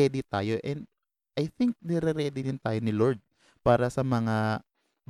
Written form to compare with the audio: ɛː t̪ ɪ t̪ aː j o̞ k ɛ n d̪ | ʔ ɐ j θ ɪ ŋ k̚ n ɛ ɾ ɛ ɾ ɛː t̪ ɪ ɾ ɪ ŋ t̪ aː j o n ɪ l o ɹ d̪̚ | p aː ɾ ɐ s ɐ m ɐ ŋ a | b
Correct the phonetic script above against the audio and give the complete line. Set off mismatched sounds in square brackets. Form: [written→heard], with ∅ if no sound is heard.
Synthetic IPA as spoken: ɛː [t̪→d̪] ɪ t̪ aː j o̞ [k→ʔ] ɛ n d̪ | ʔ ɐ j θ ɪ ŋ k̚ n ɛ ɾ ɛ ɾ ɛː [t̪→d̪] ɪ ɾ ɪ [ŋ→n] t̪ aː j o n ɪ l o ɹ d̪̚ | p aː ɾ ɐ s ɐ m ɐ ŋ a | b